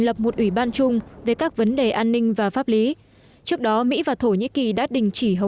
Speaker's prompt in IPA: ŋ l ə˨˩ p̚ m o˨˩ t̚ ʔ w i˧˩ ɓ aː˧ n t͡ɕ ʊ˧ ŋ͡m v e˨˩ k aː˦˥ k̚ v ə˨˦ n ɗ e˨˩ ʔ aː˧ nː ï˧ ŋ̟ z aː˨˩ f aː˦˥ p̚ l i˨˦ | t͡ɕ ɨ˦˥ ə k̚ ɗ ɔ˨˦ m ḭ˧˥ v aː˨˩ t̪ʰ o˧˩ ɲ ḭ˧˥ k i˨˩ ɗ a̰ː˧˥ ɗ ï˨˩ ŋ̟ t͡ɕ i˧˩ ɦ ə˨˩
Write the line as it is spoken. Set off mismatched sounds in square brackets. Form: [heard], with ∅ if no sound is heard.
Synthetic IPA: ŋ l ə˨˩ p̚ m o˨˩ t̚ ʔ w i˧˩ ɓ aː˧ n t͡ɕ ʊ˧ ŋ͡m v e˨˩ k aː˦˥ k̚ v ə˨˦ n ɗ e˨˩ ʔ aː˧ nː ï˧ ŋ̟ [v] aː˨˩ f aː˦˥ p̚ l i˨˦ | t͡ɕ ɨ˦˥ ə k̚ ɗ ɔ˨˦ m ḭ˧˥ v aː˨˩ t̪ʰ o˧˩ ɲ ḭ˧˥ k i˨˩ ɗ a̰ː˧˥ ɗ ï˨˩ ŋ̟ t͡ɕ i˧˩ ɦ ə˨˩